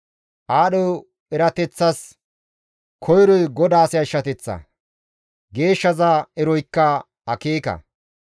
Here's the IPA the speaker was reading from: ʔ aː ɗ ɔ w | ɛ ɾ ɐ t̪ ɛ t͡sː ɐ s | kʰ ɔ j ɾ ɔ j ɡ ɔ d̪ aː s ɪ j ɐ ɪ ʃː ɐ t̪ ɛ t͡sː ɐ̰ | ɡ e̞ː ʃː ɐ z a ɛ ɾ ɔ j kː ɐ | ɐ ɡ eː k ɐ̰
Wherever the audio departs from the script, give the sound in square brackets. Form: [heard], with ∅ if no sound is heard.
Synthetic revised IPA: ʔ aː ɗ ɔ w | ɛ ɾ ɐ t̪ ɛ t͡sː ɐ s | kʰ ɔ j ɾ ɔ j ɡ ɔ d̪ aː s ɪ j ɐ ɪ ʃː ɐ t̪ ɛ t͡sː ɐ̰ | ɡ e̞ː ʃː ɐ z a ɛ ɾ ɔ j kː ɐ | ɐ [k] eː k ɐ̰